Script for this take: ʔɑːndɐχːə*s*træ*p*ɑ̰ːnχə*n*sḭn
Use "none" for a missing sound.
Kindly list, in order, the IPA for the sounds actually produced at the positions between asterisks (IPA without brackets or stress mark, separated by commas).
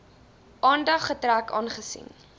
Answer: none, k, none